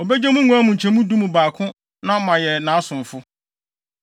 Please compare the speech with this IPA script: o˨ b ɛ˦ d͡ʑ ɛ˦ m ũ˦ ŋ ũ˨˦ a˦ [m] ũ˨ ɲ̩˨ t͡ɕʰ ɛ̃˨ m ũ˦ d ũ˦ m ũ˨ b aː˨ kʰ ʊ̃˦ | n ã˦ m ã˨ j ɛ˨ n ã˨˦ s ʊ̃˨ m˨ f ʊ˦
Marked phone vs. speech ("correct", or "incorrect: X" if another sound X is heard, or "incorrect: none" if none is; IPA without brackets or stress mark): correct